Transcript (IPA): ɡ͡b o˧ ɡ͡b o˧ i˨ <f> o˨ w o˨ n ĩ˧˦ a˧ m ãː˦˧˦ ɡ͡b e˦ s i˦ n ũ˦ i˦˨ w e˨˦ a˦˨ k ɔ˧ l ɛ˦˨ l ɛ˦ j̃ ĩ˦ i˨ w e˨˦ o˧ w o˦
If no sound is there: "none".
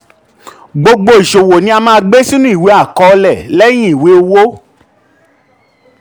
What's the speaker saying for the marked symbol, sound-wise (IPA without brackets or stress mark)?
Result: ʃ